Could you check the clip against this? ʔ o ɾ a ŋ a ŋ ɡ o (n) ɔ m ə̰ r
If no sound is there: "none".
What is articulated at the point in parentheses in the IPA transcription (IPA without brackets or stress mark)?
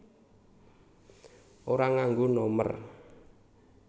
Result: n